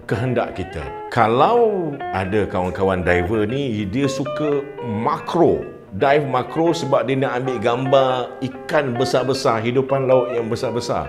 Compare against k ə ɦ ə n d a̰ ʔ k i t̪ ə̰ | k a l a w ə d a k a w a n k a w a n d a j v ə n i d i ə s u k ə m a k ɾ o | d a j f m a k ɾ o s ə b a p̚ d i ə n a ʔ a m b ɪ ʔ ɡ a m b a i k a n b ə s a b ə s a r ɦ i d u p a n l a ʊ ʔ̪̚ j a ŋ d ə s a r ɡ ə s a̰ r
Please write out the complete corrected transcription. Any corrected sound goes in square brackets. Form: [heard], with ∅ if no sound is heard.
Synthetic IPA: k ə ɦ ə n d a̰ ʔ k i t̪ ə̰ | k a l a w [a] d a k a w a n k a w a n d a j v ə n i d i ə s u k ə m a k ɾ o | d a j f m a k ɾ o s ə b a p̚ d i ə n a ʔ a m b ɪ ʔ ɡ a m b a i k a n b ə s a b ə s a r ɦ i d u p a n l a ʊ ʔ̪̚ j a ŋ [b] ə s a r [b] ə s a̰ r